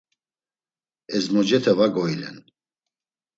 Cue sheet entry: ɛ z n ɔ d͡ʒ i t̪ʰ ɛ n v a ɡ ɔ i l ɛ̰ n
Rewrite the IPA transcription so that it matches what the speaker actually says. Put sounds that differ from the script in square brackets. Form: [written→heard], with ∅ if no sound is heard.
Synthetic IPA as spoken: ɛ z [n→m] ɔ d͡ʒ [i→ɛ] t̪ʰ ɛ [n→∅] v a ɡ ɔ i l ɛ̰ n